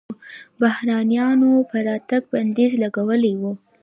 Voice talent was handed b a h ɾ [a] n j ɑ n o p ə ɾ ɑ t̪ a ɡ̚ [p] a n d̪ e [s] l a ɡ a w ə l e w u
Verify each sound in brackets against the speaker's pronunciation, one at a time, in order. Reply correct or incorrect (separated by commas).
incorrect, incorrect, incorrect